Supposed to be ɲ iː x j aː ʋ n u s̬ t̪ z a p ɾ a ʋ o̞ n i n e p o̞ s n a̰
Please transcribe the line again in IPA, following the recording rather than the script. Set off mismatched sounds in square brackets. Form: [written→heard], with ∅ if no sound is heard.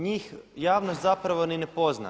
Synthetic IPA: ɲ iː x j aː ʋ n [u→o] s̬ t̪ z a p ɾ a ʋ o̞ n i n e p o̞ [s→z] n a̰